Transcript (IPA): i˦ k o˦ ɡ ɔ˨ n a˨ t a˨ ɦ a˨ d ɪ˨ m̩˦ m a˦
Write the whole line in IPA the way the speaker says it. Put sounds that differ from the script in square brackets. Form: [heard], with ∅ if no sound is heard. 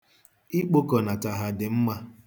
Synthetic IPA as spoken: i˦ [k͡p] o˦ [k] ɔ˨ n a˨ t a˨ ɦ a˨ d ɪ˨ m̩˦ m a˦